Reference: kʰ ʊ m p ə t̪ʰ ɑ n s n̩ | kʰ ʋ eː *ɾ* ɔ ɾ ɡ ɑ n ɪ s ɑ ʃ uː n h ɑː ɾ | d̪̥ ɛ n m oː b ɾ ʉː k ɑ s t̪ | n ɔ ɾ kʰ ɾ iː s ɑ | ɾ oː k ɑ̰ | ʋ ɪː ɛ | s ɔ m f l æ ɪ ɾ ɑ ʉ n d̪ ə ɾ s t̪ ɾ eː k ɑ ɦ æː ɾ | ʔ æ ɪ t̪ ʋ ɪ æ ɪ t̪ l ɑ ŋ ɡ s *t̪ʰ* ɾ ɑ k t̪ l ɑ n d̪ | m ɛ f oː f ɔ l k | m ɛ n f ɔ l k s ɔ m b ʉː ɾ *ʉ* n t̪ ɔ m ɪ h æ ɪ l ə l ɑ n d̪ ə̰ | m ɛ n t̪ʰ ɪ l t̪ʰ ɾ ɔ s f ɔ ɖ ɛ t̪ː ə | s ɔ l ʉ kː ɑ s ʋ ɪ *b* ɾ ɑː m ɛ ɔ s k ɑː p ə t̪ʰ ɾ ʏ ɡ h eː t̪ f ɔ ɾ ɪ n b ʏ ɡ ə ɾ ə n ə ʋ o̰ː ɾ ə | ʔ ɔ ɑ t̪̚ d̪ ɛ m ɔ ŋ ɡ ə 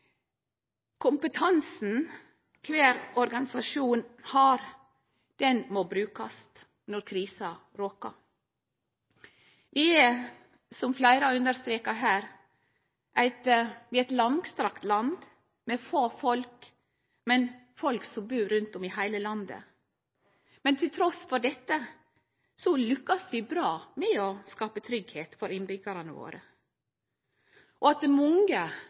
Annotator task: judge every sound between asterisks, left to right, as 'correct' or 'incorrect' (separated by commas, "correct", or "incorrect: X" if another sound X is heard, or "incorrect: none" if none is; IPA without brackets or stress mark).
correct, incorrect: t̪, correct, correct